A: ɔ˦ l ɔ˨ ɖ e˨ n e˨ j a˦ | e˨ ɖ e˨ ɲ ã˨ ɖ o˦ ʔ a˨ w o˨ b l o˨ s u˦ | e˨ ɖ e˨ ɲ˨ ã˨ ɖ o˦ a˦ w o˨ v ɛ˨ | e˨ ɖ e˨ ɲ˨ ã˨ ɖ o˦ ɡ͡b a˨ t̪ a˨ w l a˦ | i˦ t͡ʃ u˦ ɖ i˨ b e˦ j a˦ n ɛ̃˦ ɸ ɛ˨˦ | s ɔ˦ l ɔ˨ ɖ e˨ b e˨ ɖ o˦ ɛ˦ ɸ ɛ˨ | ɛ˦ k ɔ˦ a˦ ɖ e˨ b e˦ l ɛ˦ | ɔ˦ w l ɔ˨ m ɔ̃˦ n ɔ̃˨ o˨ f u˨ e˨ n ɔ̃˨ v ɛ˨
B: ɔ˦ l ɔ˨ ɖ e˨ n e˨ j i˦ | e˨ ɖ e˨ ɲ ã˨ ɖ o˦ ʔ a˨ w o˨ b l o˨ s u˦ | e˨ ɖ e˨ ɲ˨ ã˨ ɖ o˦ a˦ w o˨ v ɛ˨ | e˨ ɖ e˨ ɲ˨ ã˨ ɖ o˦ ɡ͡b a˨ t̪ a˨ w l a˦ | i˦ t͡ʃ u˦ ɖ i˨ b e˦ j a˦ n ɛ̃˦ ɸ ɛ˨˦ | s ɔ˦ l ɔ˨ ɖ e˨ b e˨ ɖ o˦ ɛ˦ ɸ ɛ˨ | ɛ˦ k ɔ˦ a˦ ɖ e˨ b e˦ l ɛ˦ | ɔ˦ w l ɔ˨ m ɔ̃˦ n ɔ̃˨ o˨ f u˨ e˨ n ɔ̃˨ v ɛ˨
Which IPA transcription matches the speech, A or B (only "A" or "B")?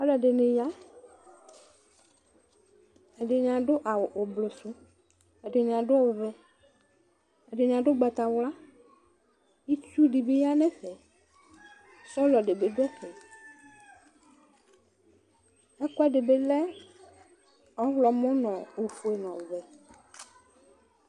A